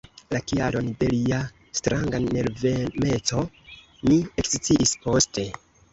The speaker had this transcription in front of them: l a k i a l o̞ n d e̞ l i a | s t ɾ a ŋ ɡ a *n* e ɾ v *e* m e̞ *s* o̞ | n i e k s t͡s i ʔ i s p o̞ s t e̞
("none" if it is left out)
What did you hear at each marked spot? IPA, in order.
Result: n, e, t͡s

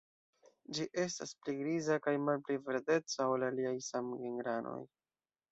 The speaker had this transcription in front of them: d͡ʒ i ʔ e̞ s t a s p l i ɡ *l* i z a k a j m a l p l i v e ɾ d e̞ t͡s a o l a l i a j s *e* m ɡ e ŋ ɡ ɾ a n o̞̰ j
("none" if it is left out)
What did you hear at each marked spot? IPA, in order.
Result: ɾ, a

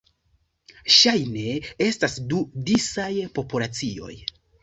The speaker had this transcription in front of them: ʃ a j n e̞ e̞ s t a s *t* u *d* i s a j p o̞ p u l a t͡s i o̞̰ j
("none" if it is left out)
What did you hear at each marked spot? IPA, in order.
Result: d, d

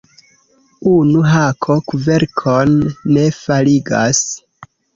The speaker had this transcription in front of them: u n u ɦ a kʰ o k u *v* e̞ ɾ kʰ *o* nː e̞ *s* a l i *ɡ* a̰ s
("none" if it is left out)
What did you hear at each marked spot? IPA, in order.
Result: v, o, f, ɡ

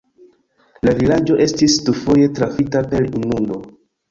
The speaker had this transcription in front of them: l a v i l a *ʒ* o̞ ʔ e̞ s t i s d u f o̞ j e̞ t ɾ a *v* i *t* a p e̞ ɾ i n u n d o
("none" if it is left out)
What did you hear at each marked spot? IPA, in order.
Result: d͡ʒ, f, t

